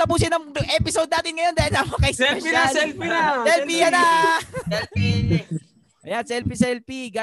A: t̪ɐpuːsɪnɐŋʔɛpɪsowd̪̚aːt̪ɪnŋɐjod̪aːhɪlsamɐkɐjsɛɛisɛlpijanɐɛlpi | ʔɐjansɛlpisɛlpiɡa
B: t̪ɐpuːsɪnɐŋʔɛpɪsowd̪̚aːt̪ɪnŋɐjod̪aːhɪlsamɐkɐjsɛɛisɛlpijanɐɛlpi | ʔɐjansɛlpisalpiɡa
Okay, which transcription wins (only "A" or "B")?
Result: A